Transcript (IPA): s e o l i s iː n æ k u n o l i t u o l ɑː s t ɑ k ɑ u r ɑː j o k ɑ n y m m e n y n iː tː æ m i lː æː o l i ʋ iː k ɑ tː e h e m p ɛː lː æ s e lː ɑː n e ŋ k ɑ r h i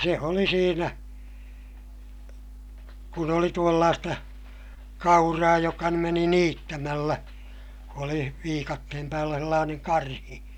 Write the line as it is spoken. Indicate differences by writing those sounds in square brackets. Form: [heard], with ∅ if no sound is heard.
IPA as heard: s e o l i s iː n æ k u n o l i t u o [lː] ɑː s t ɑ k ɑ u r ɑː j o k ɑ n y m m e n [i] n iː tː æ m [æ] lː [æ] o l i ʋ iː k ɑ tː e h e m p [æː] lː æ s e lː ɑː n e ŋ k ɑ r h i